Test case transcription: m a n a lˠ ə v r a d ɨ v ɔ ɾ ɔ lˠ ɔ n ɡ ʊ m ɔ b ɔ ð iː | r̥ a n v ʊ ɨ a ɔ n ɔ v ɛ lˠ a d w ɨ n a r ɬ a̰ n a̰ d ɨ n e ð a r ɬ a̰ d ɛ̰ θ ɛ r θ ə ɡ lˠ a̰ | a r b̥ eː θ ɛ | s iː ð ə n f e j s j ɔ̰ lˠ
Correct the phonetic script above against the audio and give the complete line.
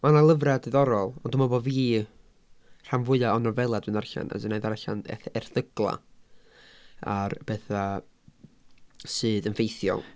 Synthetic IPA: m a n a lˠ ə v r a d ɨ ð ɔ ɾ ɔ lˠ ɔ n d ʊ m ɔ b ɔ v iː | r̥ a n v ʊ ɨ a ɔ n ɔ v ɛ lˠ a d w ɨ n a r ɬ a̰ n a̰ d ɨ n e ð a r ɬ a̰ n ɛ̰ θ ɛ r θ ə ɡ lˠ a̰ | a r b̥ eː θ a | s ɨː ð ə n f e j θ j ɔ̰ lˠ